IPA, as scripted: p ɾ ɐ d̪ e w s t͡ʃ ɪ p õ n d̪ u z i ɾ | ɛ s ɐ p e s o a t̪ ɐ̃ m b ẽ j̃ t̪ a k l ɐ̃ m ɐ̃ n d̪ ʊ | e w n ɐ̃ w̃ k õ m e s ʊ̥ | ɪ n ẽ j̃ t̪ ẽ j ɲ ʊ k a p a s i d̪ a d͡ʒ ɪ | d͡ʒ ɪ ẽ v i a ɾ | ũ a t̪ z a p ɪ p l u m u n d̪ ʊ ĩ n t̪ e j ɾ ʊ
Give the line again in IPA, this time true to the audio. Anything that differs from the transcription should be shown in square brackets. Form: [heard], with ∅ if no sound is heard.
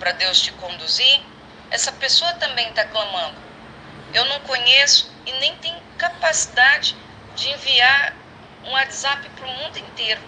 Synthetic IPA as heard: p ɾ ɐ d̪ e w s t͡ʃ ɪ [k] õ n d̪ u z i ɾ | ɛ s ɐ p e s o [ɐ] t̪ ɐ̃ m b ẽ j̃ t̪ a k l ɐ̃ m ɐ̃ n d̪ ʊ | e w n ɐ̃ w̃ k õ [ɲ] e s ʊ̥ | ɪ n ẽ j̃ t̪ ẽ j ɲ ʊ k a p a s i d̪ a d͡ʒ ɪ | d͡ʒ ɪ ẽ v i a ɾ | ũ a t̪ z a p ɪ p [ɾ] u m [ũ] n d̪ ʊ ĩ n t̪ e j ɾ ʊ